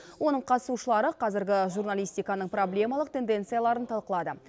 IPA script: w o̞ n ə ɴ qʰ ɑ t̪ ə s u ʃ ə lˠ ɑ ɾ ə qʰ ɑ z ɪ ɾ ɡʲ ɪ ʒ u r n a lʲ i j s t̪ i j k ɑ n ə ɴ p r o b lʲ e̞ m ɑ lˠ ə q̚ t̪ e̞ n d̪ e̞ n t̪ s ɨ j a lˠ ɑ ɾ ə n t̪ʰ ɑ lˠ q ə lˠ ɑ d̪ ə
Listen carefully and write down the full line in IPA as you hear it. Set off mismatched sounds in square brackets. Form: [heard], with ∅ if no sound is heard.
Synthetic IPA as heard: w o̞ n ə ɴ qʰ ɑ t̪ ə s u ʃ ə lˠ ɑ ɾ ə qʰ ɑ z ɪ ɾ ɡʲ ɪ ʒ u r n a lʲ i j s t̪ i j k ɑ n ə ɴ p r o b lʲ e̞ m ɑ lˠ ə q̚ t̪ e̞ n d̪ e̞ n t̪ s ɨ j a lˠ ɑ ɾ ə n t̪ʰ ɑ lˠ q ə lˠ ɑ d̪ ə